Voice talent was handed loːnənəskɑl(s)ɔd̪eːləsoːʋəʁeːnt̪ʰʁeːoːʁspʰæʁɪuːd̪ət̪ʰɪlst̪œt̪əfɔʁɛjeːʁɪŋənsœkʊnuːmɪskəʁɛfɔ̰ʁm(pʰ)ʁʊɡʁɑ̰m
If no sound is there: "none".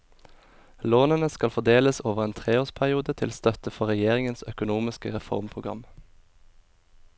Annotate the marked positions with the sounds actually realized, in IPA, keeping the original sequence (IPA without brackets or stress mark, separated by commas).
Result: f, pʰ